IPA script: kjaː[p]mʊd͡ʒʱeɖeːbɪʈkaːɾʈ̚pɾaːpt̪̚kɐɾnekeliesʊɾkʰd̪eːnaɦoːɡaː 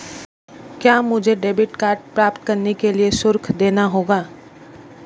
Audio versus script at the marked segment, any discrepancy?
yes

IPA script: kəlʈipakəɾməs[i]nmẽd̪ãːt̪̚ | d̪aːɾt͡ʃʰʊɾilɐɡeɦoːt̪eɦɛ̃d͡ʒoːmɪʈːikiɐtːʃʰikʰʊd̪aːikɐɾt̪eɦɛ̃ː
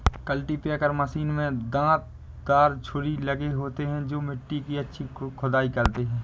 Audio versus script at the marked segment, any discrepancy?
yes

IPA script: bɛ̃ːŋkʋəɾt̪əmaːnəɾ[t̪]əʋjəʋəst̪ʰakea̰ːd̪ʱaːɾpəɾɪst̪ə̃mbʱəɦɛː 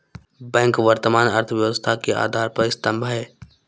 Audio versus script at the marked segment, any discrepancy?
yes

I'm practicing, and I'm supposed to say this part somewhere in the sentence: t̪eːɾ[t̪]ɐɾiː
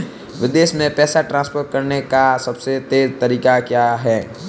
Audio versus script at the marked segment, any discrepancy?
no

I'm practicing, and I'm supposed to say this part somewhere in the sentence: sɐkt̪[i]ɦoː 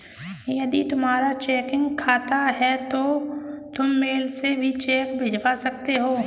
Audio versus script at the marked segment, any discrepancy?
yes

